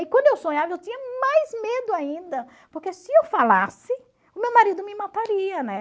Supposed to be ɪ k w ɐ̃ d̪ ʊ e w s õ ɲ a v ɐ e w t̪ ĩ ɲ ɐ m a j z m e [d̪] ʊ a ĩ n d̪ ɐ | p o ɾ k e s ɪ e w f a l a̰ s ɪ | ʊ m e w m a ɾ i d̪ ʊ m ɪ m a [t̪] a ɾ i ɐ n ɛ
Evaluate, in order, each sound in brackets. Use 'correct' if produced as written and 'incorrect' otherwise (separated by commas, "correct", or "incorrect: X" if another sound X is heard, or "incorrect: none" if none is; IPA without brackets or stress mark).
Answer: correct, correct